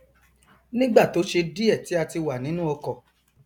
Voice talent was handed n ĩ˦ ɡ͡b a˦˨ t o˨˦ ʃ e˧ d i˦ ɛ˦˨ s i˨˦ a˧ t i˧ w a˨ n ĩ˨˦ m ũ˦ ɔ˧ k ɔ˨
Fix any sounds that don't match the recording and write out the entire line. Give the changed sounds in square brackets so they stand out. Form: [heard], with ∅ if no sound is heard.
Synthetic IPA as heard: n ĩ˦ ɡ͡b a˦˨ t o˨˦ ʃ e˧ d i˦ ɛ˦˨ [t] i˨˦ a˧ t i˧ w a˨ n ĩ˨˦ [n] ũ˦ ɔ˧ k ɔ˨